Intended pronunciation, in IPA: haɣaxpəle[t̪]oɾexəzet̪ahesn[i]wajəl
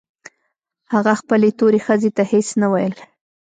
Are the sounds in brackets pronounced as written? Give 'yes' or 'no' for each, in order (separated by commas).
yes, no